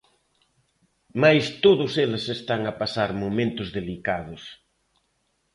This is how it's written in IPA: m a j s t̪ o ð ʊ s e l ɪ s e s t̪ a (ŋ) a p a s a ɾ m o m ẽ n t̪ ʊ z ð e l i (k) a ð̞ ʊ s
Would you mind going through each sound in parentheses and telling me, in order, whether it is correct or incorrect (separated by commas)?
correct, correct